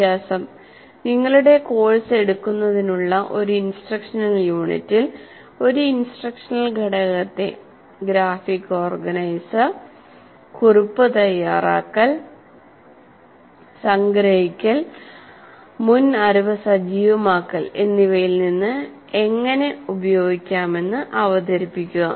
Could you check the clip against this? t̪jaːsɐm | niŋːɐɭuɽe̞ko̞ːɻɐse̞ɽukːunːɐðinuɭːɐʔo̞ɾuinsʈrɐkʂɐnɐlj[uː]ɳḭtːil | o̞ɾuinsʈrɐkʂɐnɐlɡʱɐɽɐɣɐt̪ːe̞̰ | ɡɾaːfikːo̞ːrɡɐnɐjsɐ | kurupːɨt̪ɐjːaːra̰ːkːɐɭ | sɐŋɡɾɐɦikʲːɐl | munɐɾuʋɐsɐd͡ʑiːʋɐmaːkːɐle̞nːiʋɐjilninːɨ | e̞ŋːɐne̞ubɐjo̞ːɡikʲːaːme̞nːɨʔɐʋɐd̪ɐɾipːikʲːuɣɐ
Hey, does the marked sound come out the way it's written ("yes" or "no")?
yes